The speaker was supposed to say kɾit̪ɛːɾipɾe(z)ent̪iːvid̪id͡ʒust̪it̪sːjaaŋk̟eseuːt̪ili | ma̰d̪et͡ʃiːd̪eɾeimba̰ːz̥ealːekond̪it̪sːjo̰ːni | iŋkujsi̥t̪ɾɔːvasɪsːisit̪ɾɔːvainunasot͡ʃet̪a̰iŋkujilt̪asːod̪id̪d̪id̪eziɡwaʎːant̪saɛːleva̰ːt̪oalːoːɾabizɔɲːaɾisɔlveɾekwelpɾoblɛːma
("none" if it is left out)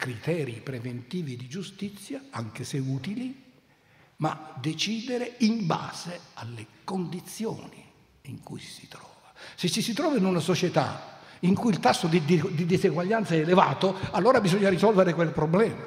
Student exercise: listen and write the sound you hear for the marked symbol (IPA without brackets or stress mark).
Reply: v